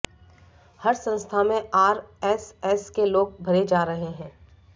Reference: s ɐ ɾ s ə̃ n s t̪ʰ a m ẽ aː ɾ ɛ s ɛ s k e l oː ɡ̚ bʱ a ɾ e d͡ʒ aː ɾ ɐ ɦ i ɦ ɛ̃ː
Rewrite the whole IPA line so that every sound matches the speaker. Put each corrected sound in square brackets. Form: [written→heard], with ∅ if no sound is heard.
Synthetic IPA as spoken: [s→h] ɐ ɾ s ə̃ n s t̪ʰ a m ẽ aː ɾ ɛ s ɛ s k e l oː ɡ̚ bʱ [a→ɐ] ɾ e d͡ʒ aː ɾ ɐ ɦ [i→e] ɦ ɛ̃ː